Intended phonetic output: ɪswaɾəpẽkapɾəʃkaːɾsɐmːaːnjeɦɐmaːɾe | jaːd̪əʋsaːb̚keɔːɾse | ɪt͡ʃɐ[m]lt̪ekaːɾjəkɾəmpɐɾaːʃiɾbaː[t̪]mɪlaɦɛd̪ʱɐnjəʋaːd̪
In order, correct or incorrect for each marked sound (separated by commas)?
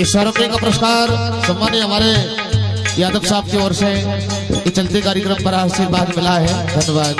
incorrect, incorrect